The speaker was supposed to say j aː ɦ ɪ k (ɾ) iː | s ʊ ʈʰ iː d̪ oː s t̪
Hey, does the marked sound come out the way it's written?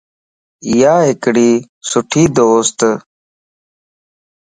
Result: no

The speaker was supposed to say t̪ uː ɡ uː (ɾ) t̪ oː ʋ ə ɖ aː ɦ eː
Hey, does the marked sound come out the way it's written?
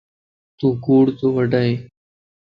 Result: no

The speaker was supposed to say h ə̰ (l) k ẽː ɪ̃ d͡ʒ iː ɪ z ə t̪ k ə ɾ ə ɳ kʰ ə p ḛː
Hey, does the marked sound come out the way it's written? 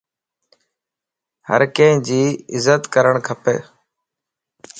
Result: no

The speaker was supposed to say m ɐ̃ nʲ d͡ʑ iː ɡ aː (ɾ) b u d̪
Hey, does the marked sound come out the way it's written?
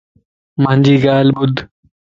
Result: no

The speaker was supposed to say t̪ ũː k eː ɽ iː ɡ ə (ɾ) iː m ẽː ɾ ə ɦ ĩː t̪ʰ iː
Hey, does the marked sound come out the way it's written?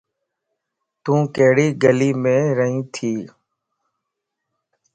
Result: no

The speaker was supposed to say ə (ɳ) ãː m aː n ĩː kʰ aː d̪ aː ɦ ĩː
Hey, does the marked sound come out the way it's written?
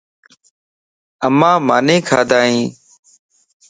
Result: no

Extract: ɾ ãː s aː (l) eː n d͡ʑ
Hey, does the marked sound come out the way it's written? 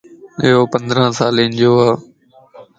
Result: yes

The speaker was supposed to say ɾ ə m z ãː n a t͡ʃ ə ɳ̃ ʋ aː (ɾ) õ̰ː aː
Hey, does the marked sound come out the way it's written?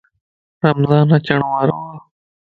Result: yes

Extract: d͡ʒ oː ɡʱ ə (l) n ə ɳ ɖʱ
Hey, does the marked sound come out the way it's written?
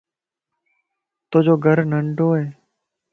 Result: no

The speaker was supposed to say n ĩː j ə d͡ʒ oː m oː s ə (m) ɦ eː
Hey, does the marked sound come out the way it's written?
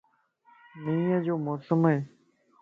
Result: yes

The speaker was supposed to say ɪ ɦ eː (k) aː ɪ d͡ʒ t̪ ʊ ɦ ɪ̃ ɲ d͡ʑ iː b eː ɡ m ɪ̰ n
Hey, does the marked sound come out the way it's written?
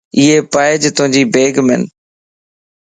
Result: no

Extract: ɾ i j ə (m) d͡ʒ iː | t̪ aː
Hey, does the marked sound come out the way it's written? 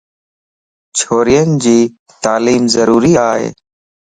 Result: no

